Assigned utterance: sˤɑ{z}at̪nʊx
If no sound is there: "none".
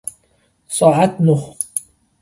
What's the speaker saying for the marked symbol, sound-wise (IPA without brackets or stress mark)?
ʕ